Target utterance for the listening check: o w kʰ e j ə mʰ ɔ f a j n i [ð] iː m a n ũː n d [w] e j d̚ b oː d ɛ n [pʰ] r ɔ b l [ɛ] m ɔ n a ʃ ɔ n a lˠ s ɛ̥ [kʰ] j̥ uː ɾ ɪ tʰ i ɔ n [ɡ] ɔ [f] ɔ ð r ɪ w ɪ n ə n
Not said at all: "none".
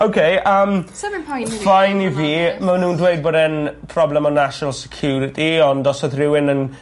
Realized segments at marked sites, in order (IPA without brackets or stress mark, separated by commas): v, w, pʰ, ɛ, kʰ, d, s